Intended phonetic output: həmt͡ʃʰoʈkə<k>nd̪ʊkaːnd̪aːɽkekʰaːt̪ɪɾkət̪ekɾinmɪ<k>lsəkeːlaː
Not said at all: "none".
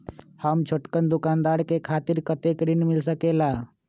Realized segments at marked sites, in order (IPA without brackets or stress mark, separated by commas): none, none